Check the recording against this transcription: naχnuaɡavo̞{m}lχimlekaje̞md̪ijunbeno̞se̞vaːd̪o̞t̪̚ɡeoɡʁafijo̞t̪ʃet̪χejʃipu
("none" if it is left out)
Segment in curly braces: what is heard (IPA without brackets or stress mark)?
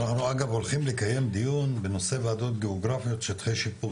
none